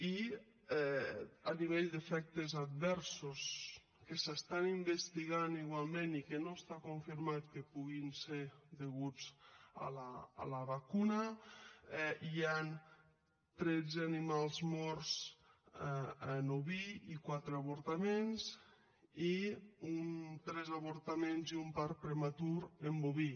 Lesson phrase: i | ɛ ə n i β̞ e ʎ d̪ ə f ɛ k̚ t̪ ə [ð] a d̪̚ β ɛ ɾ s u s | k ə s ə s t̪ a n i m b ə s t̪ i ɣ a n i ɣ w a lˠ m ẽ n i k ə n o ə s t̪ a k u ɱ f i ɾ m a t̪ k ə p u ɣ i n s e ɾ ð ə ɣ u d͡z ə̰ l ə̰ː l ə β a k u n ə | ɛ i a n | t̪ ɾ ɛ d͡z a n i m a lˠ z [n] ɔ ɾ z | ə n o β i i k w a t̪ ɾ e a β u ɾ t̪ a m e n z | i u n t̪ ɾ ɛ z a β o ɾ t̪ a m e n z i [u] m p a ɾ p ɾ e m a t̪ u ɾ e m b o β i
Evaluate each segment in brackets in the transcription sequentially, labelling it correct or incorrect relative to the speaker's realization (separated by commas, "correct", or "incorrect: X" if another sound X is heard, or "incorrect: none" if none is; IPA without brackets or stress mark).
incorrect: z, incorrect: m, correct